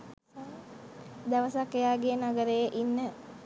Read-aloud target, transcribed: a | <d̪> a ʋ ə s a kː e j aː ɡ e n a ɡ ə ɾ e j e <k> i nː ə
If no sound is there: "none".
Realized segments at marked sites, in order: d̪, ʔ

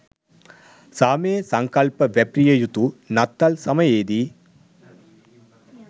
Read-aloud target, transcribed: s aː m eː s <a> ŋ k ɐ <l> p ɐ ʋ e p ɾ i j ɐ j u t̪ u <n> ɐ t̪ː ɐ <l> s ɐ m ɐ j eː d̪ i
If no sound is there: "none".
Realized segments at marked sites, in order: ɐ, l, n, l

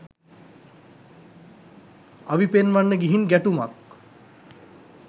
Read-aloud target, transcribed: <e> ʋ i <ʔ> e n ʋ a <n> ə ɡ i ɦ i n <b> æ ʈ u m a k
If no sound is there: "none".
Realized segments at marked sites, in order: a, p, nː, ɡ

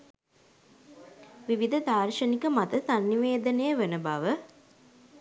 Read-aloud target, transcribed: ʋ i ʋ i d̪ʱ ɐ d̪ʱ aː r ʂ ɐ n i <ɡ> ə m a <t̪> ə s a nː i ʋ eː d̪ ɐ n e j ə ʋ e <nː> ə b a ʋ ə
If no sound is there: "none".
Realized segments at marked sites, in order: k, t̪, n

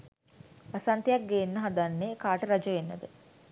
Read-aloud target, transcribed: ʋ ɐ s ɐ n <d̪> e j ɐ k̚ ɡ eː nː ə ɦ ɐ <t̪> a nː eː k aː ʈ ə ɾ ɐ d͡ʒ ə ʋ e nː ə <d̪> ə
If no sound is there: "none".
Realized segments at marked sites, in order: t̪, d̪, d̪

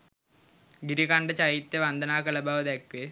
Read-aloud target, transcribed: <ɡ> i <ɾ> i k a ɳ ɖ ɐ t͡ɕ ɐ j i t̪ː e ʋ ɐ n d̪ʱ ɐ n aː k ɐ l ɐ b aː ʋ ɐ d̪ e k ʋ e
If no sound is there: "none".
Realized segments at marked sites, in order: ɡ, ɾ

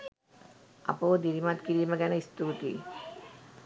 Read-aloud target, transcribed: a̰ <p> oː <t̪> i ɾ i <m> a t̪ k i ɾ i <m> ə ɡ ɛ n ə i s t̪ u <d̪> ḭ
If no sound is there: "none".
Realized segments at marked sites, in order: p, d̪, m, m, t̪

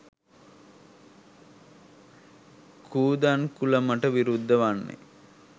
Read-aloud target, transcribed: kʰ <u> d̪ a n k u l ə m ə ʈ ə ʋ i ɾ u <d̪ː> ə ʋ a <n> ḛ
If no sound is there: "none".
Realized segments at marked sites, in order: uː, d̪ː, nː

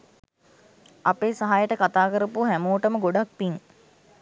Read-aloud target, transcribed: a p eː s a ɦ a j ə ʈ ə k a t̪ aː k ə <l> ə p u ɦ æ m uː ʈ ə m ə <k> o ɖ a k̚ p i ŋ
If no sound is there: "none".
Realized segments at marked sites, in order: ɾ, ɡ

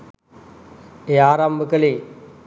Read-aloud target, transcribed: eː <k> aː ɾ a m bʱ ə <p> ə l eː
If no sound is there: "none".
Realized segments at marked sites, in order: none, k

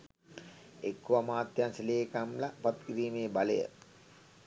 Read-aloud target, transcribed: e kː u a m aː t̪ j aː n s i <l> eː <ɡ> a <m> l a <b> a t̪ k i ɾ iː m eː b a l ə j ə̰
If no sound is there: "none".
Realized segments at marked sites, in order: l, k, m, p

